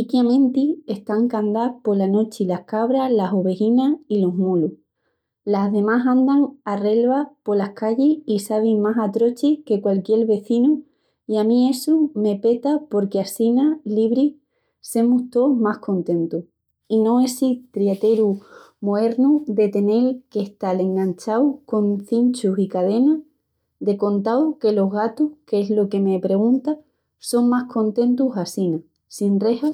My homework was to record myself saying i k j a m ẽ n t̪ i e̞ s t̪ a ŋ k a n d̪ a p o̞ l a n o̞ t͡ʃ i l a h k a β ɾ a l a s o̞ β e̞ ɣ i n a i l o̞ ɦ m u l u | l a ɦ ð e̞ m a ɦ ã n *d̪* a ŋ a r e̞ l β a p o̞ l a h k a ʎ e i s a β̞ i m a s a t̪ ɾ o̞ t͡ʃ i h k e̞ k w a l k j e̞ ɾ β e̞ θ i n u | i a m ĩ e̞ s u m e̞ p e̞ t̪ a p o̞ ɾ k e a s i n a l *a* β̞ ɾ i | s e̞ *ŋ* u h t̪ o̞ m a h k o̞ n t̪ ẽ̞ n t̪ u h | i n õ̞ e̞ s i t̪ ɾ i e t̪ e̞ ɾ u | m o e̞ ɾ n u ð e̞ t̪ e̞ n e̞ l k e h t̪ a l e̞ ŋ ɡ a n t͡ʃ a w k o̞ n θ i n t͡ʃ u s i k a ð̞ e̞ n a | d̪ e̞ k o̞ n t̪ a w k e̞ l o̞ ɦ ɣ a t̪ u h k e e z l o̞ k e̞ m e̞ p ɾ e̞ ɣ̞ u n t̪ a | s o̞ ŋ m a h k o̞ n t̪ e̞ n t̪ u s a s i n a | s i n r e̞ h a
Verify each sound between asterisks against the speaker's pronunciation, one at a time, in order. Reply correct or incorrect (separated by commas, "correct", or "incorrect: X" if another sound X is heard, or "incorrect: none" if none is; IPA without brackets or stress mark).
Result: correct, incorrect: i, incorrect: m